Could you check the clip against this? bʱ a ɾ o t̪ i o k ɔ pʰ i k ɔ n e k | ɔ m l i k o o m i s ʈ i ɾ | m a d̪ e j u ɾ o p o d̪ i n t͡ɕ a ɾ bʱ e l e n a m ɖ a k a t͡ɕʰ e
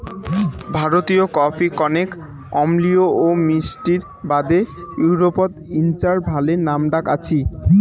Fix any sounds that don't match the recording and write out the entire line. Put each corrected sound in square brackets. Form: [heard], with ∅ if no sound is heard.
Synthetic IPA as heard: bʱ a ɾ o t̪ i o k ɔ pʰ i k ɔ n e k | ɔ m l i [∅] o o m i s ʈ i ɾ | [b] a d̪ e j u ɾ o p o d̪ i n t͡ɕ a ɾ bʱ [a] l e n a m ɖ a k a t͡ɕʰ [i]